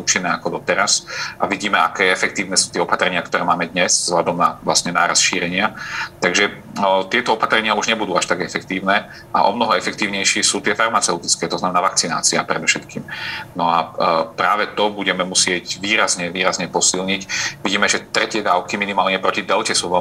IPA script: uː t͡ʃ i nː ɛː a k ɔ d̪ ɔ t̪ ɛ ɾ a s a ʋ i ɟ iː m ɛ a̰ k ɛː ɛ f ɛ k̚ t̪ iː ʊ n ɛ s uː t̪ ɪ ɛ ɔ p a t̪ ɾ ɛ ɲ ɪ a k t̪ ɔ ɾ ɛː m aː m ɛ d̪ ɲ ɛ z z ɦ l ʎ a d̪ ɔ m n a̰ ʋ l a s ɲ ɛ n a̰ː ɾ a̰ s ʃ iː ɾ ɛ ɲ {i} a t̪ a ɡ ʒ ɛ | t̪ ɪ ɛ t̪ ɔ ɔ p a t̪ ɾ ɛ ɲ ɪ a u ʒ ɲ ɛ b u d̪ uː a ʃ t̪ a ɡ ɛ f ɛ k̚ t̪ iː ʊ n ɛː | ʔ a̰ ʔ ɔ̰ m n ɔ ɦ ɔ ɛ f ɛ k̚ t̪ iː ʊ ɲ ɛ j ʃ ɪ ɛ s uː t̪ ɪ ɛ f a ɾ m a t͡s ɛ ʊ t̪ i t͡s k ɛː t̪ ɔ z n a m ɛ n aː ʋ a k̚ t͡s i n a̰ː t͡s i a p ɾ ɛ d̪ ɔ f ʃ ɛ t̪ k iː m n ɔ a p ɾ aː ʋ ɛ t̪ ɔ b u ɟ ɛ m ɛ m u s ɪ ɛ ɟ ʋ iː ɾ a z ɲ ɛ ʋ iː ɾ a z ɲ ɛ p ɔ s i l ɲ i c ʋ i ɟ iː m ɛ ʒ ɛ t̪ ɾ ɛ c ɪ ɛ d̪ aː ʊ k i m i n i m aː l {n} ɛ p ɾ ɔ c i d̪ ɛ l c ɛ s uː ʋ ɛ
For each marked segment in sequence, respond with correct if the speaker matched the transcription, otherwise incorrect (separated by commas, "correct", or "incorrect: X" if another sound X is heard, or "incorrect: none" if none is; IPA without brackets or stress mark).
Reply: incorrect: ɪ, incorrect: ɲ